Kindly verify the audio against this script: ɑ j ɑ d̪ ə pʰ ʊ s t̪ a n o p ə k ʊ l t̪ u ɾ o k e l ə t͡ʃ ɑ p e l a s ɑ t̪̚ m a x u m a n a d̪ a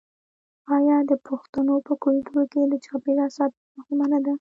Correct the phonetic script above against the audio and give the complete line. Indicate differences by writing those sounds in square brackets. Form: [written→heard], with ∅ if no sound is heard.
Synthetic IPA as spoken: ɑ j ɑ d̪ ə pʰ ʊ [s→x] t̪ a n o p ə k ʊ l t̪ u ɾ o k e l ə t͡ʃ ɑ p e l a s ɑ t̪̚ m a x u m a n a d̪ a